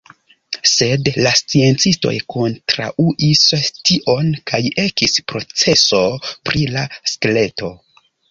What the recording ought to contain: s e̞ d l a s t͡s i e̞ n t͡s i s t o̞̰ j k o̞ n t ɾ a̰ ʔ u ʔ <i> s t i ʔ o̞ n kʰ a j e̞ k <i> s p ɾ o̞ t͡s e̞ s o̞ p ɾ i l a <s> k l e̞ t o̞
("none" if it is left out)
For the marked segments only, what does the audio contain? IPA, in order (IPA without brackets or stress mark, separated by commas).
i, i, s